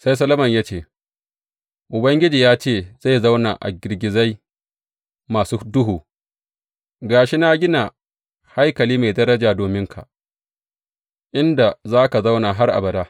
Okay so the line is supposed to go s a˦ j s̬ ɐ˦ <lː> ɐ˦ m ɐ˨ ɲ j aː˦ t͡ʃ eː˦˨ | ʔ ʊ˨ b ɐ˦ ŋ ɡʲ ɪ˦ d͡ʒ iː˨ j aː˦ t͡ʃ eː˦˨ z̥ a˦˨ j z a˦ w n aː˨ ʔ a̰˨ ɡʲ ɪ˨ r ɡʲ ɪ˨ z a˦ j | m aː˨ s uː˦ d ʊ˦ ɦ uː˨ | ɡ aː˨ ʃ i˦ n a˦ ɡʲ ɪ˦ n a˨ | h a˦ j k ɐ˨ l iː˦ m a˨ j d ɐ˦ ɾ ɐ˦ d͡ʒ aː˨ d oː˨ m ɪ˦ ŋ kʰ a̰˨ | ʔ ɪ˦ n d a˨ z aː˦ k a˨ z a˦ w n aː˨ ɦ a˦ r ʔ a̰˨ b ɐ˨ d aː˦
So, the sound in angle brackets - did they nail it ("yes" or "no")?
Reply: no